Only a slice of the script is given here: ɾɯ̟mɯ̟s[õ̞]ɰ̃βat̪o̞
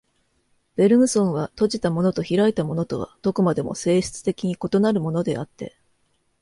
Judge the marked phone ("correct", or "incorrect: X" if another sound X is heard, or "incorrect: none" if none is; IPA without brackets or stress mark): correct